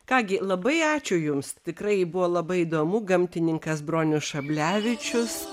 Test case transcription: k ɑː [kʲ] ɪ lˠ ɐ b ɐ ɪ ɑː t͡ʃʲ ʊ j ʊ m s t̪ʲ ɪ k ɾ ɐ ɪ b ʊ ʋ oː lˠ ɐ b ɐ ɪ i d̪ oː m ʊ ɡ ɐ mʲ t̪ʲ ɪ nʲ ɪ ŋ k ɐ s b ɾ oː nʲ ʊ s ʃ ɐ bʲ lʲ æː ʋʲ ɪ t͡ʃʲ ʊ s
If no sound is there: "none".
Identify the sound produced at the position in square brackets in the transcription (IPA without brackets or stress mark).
ɡʲ